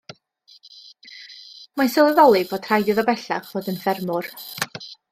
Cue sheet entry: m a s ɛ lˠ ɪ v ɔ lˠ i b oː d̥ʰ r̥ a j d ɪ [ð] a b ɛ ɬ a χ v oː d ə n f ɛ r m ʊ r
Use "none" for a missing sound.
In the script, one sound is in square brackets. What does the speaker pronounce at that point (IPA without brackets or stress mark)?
ð